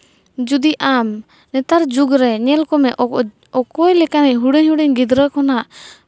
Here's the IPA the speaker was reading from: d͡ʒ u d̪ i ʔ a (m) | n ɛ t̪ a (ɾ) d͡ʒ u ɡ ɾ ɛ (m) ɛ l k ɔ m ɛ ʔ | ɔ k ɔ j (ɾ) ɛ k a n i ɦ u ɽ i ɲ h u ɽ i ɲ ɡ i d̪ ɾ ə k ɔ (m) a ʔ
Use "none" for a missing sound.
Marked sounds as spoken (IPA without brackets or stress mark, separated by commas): m, ɾ, ɲ, l, n